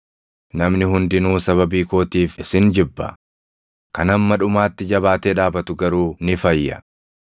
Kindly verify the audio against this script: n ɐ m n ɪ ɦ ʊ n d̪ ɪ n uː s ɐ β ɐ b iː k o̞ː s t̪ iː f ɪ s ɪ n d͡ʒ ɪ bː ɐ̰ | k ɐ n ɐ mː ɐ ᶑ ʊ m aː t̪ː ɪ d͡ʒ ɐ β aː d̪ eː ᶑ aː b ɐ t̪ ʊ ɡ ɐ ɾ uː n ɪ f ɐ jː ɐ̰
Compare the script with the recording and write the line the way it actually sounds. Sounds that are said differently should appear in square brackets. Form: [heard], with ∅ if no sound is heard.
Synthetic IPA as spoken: n ɐ m n ɪ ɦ ʊ n d̪ ɪ n uː s ɐ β ɐ b iː k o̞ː [∅] t̪ iː f ɪ s ɪ n d͡ʒ ɪ bː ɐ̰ | k ɐ n ɐ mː ɐ ᶑ ʊ m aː t̪ː ɪ d͡ʒ ɐ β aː [t̪] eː ᶑ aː b ɐ t̪ ʊ ɡ ɐ ɾ uː n ɪ f ɐ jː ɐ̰